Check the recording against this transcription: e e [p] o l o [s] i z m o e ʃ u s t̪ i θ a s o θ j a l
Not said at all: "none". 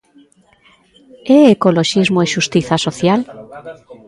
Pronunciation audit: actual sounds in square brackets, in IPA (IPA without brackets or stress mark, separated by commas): k, ʃ